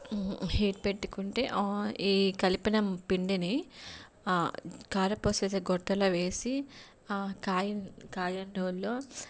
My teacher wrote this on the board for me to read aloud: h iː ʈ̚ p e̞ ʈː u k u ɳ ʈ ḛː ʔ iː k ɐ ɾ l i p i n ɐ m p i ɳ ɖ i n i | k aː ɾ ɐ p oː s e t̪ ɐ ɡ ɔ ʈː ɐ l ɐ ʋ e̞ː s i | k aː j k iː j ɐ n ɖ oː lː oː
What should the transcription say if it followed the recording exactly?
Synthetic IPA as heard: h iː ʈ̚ p e̞ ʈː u k u ɳ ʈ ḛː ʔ iː k ɐ l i p i n ɐ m p i ɳ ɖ i n i | k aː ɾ ɐ p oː s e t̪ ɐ ɡ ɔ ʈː ɐ l ɐ ʋ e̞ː s i | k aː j k aː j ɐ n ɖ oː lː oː